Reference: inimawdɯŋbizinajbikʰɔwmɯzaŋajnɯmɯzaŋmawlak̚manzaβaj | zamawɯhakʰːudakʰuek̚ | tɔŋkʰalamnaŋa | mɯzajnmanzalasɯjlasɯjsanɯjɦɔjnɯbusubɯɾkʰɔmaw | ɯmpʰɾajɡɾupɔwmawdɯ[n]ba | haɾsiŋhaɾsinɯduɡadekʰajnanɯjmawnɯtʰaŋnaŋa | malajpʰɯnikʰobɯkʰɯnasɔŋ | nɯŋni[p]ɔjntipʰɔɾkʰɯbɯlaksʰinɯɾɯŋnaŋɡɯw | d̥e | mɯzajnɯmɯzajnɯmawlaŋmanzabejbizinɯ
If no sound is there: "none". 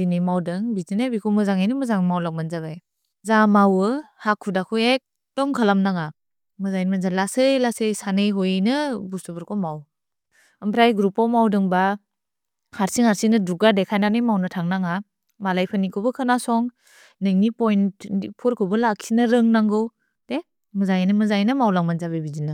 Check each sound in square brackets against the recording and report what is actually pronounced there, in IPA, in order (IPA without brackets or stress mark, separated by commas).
ŋ, p